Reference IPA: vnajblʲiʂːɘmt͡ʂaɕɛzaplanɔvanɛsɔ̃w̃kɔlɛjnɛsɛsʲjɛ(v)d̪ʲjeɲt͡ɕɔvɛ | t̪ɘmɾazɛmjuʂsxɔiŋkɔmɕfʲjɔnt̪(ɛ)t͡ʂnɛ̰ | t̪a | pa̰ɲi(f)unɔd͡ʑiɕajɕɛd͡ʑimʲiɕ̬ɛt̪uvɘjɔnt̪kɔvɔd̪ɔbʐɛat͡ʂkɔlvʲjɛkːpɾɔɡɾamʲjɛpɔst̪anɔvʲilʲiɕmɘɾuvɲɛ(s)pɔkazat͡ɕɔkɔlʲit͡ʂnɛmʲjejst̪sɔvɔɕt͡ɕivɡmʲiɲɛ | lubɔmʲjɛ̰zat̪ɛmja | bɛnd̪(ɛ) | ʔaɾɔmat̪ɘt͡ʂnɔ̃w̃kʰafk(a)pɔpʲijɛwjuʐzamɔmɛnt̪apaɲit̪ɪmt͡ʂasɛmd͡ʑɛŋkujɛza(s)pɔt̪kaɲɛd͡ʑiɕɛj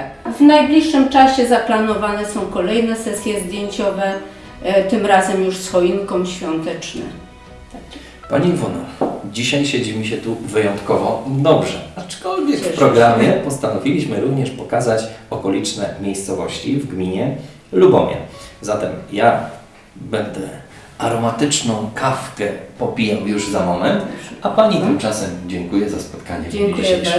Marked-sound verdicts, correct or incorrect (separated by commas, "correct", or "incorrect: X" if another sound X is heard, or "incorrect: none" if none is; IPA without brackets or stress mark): incorrect: z, correct, incorrect: v, incorrect: ʂ, correct, incorrect: ɛ, correct